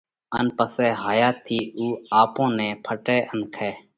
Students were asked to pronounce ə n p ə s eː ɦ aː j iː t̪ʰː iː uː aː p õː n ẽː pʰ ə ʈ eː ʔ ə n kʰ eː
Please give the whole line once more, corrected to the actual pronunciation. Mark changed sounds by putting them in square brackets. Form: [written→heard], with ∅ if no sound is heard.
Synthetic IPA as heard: ə n p ə s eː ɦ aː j [iː→aː] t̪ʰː iː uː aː p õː n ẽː pʰ ə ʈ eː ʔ ə n kʰ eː